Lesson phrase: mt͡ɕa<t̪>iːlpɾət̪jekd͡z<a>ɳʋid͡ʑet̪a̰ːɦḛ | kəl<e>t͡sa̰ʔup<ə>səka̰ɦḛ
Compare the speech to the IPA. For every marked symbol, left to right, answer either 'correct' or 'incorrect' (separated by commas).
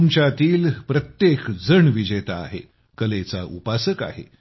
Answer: correct, incorrect, correct, incorrect